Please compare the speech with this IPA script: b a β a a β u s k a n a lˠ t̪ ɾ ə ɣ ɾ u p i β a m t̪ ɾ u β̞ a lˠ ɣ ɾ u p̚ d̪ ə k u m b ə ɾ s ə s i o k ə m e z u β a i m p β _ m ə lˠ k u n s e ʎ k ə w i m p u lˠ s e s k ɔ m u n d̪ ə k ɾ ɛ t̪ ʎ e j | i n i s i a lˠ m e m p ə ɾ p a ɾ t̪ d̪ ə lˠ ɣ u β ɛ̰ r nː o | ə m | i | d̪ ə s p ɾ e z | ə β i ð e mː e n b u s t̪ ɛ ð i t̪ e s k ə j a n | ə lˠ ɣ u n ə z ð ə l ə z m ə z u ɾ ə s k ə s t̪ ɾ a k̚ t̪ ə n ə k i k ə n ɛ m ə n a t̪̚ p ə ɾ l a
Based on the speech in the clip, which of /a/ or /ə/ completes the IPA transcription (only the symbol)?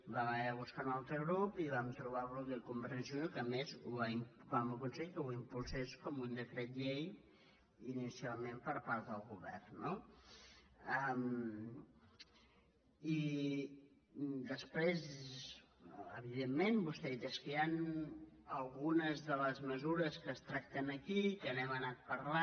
a